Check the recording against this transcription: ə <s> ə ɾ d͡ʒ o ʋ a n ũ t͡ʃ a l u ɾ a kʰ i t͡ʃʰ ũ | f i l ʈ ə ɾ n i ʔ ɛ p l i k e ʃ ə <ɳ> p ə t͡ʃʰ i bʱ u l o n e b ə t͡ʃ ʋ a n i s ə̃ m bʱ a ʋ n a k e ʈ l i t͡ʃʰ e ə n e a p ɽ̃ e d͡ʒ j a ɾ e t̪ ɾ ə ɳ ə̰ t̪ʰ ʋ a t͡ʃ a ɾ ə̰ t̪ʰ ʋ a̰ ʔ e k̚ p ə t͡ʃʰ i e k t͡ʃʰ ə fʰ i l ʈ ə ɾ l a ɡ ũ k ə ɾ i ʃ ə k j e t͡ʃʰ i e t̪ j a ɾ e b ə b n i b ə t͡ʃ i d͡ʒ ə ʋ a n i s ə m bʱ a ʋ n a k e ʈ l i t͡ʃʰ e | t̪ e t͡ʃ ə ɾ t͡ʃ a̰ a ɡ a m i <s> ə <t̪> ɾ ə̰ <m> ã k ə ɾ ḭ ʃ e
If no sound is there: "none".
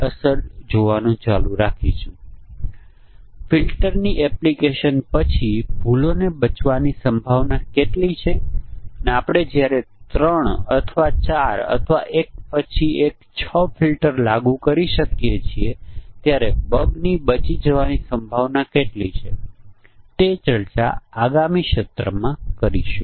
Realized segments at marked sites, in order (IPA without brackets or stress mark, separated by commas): s, n, ʃ, t̪, m